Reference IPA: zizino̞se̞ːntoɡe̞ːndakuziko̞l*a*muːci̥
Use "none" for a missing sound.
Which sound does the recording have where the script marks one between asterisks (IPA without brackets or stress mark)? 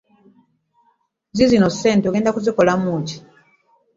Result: a